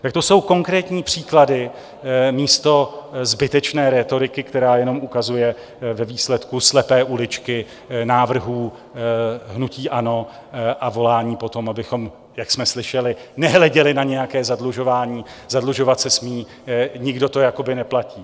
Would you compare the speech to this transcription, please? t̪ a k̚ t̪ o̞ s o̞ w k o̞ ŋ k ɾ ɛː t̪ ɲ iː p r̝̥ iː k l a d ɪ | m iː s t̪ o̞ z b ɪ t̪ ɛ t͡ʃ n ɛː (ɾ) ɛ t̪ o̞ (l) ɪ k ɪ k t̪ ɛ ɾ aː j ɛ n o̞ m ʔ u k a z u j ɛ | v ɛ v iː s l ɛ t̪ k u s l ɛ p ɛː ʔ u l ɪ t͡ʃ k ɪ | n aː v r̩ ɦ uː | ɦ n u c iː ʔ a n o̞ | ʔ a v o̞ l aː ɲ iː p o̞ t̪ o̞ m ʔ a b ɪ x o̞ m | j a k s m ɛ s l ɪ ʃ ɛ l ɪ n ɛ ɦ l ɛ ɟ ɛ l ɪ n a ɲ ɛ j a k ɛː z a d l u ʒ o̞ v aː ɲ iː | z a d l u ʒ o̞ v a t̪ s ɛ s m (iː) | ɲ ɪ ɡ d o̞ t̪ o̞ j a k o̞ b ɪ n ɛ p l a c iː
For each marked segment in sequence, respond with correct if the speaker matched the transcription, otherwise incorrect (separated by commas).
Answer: correct, incorrect, correct